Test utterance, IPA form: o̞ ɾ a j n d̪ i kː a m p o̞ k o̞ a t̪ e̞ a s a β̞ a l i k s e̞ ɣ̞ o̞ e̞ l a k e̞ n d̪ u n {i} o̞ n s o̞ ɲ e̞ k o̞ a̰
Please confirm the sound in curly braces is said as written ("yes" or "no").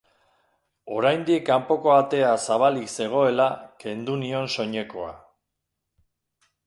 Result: yes